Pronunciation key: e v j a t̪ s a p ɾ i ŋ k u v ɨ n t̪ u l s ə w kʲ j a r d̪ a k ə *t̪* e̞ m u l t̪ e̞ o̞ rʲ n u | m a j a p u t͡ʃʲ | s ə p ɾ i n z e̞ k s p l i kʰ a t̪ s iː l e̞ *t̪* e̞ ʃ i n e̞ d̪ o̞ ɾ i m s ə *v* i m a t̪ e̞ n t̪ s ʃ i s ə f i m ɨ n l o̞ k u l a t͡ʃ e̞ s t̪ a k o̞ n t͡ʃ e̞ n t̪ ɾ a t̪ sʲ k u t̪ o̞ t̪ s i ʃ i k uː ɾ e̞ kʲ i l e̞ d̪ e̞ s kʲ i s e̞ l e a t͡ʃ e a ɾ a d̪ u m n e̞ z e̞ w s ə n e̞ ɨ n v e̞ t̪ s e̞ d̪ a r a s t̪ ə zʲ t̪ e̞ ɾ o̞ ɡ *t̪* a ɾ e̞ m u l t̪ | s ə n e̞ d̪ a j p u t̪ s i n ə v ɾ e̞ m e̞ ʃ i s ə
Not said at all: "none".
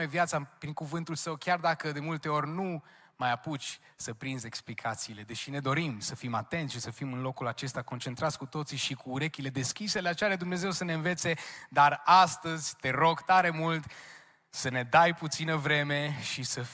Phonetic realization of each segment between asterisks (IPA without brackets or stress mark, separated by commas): d̪, d̪, f, t̪